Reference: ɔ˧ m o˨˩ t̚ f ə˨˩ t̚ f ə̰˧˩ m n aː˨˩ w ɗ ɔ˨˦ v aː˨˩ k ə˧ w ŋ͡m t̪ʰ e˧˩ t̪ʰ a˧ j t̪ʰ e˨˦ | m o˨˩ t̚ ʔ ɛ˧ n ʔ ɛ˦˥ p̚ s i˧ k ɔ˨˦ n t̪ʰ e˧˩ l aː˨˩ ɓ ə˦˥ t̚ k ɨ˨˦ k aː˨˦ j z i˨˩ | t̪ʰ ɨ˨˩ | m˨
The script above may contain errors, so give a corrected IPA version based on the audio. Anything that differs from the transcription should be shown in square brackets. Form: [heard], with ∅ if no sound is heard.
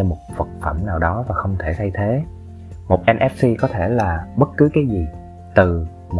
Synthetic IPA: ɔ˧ m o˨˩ t̚ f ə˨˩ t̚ f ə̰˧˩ m n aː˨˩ w ɗ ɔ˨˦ v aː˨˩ [x] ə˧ w ŋ͡m t̪ʰ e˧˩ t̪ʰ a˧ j t̪ʰ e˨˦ | m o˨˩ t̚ ʔ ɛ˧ n ʔ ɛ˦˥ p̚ s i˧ k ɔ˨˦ [∅] t̪ʰ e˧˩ l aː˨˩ ɓ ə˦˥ t̚ k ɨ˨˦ k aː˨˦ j z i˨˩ | [t̪] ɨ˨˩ | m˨